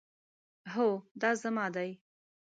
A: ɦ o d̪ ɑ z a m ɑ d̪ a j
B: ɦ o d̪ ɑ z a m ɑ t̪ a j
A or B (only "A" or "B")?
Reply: A